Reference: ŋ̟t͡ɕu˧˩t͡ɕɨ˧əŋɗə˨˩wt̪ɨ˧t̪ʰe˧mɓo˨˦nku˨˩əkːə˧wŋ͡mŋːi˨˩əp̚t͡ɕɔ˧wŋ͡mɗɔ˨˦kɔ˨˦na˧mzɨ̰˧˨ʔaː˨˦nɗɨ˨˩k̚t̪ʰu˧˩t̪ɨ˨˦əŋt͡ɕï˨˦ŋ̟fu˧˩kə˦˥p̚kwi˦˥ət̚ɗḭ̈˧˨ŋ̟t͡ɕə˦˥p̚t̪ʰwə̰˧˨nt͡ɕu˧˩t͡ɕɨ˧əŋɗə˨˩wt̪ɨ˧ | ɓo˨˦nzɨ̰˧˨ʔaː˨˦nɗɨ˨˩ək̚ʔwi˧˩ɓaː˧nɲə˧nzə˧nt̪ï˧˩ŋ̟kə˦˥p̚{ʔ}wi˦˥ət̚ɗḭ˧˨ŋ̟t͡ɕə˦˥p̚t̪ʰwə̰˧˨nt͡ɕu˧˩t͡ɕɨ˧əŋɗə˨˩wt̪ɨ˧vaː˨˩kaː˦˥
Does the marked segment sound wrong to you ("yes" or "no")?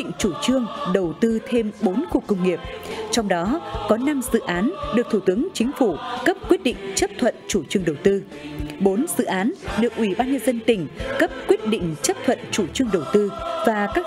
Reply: yes